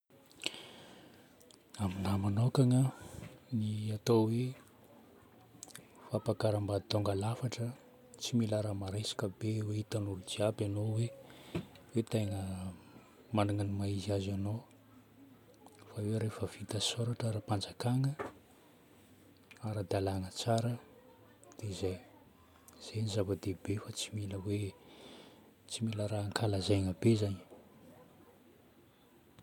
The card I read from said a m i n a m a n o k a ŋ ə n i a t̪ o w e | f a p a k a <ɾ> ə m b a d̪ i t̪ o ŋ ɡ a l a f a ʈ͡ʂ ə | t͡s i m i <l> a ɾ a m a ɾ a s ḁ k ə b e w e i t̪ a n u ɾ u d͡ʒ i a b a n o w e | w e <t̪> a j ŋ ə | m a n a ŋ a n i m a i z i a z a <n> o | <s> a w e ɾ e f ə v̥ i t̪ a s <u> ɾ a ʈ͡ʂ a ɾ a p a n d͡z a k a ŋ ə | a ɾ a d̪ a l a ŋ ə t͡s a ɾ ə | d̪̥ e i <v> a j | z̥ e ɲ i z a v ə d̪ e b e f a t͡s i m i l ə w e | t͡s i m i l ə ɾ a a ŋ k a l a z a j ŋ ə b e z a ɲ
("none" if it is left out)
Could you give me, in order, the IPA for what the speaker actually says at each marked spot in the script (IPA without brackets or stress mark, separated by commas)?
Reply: ɾ, l, t̪, n, f, o, z